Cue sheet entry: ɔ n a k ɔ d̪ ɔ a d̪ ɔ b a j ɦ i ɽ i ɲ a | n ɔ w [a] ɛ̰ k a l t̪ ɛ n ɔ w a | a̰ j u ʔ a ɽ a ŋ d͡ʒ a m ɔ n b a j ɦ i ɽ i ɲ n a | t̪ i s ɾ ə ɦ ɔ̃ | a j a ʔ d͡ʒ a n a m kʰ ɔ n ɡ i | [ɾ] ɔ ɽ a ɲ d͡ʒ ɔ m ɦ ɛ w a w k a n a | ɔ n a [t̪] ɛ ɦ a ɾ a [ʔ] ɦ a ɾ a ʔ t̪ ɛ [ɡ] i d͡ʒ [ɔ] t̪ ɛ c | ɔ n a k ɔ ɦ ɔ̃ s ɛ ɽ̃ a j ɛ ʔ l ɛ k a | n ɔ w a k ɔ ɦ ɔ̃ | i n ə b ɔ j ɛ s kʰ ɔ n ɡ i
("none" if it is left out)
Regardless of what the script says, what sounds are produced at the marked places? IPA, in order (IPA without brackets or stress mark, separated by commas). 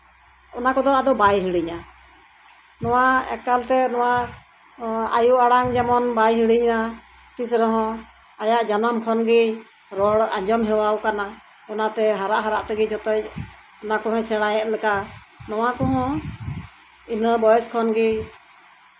a, ɾ, t̪, ʔ, ɡ, ɔ